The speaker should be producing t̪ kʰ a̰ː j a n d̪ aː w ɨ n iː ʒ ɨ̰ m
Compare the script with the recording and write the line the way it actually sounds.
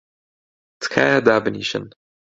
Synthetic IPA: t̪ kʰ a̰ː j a d̪ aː b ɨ n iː ʃ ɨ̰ n